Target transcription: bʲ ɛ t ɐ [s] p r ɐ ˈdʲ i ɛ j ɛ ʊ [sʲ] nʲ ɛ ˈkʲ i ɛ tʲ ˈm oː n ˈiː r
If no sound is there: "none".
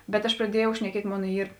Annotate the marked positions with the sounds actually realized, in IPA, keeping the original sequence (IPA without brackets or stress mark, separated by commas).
ʃ, ʃʲ